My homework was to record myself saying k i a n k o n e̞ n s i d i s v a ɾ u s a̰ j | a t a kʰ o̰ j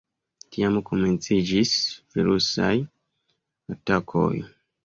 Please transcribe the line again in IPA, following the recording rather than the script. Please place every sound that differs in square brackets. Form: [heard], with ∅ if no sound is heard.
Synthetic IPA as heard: [t] i a [m] k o [m] e̞ n [t͡s] i [d͡ʒ] i s v [i] ɾ u s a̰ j | a t a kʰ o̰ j